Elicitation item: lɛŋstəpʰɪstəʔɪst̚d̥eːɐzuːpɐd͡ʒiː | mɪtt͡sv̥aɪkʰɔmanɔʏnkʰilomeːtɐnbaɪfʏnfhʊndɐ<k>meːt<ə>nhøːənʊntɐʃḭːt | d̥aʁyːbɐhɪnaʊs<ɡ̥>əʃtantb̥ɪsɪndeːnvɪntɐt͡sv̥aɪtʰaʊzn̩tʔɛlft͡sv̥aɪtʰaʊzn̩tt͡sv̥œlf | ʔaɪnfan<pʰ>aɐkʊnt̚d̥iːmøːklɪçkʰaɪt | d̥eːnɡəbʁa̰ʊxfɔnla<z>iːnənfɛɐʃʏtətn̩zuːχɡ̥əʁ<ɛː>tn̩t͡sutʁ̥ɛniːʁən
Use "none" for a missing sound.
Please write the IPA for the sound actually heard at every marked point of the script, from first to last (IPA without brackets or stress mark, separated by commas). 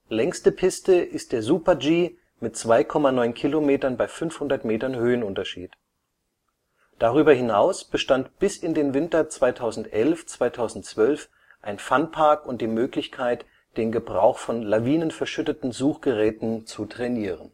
t, ɐ, b̥, pʰ, v, ɛː